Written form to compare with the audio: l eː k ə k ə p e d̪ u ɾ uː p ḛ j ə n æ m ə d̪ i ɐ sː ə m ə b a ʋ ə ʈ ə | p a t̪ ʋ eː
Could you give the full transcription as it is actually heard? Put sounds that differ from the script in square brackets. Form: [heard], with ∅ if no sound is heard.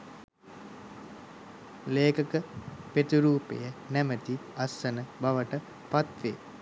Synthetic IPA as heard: l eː k ə k ə p e [t̪] u ɾ uː p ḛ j ə n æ m ə [t̪] i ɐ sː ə [n] ə b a ʋ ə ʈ ə | p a t̪ ʋ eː